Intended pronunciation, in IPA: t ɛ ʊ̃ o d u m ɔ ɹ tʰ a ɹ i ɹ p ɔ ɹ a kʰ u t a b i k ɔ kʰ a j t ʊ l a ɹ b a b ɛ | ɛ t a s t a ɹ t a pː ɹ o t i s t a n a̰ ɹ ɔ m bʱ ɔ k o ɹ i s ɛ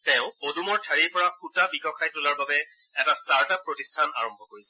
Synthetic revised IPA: t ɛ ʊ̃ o d u m ɔ ɹ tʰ a ɹ i ɹ p ɔ ɹ a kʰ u t a b i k ɔ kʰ a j t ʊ l a ɹ b a b ɛ | ɛ t a s t a ɹ t a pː ɹ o t i s tʰ a n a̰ ɹ ɔ m bʱ ɔ k o ɹ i s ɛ